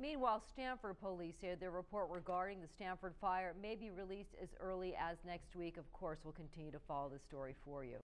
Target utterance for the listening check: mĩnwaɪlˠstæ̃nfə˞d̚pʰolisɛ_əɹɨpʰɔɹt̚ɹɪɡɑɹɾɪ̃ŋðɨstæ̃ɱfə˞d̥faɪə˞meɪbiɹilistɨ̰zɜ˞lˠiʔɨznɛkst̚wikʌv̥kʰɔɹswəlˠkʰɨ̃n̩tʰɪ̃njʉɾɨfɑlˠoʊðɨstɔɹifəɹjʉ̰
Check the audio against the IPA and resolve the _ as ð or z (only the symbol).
ð